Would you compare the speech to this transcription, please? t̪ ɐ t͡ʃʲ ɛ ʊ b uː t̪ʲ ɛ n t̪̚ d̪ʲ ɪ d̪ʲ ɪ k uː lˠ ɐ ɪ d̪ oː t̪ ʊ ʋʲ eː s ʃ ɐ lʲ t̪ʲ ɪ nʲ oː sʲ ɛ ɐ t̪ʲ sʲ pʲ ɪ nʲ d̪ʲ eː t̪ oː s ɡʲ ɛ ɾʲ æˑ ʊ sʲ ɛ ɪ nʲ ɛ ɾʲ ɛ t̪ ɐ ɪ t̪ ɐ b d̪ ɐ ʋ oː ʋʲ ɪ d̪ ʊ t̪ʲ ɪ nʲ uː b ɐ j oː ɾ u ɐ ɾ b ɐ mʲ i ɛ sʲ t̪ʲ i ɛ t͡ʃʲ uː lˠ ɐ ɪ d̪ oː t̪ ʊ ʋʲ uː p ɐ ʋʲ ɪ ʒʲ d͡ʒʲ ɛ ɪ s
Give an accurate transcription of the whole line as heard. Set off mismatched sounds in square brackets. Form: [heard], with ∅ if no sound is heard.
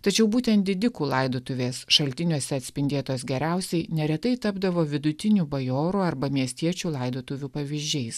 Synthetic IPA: t̪ ɐ t͡ʃʲ ɛ ʊ b uː t̪ʲ ɛ n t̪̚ d̪ʲ ɪ d̪ʲ ɪ k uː lˠ ɐ ɪ d̪ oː t̪ ʊ ʋʲ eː s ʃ ɐ lʲ t̪ʲ ɪ nʲ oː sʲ ɛ ɐ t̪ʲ sʲ pʲ ɪ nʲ d̪ʲ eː t̪ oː s ɡʲ ɛ ɾʲ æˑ ʊ sʲ ɛ ɪ nʲ ɛ ɾʲ ɛ t̪ ɐ ɪ t̪ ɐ b d̪ ɐ ʋ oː ʋʲ ɪ d̪ ʊ t̪ʲ ɪ nʲ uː b ɐ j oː ɾ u ɐ ɾ b ɐ mʲ i ɛ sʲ t̪ʲ i ɛ t͡ʃʲ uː lˠ ɐ ɪ d̪ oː t̪ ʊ ʋʲ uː p ɐ ʋʲ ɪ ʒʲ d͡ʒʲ ɛ ɪ s

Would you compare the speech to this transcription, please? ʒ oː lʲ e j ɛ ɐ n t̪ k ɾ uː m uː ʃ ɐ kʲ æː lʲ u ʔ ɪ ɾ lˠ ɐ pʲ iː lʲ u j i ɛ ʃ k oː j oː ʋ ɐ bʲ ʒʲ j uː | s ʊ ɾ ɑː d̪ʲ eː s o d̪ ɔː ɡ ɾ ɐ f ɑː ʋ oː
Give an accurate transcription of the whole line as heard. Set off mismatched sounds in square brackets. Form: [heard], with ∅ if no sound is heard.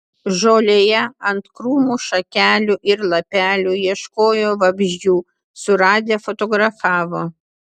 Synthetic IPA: ʒ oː lʲ e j ɛ ɐ n t̪ k ɾ uː m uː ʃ ɐ kʲ æː lʲ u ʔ ɪ ɾ lˠ ɐ pʲ [æː] lʲ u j i ɛ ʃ k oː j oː ʋ ɐ bʲ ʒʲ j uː | s ʊ ɾ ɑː d̪ʲ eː [f] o [t̪] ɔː ɡ ɾ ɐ f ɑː ʋ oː

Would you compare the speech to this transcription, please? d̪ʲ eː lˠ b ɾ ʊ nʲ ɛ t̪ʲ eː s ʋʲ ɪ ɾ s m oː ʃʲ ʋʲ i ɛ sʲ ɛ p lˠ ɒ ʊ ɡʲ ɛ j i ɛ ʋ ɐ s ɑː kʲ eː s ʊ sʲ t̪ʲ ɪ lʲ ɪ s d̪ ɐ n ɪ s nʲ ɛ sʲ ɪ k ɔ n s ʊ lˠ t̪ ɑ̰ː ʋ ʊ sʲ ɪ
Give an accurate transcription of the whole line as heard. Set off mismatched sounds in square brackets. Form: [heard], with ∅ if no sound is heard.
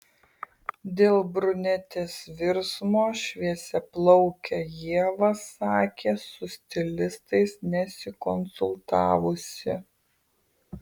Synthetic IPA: d̪ʲ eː lˠ b ɾ ʊ nʲ ɛ t̪ʲ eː s ʋʲ ɪ ɾ s m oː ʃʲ ʋʲ i ɛ sʲ ɛ p lˠ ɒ ʊ [kʲ] ɛ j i ɛ ʋ ɐ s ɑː kʲ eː s ʊ sʲ t̪ʲ ɪ lʲ ɪ s [t̪] ɐ [∅] ɪ s nʲ ɛ sʲ ɪ k ɔ n s ʊ lˠ t̪ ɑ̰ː ʋ ʊ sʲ ɪ

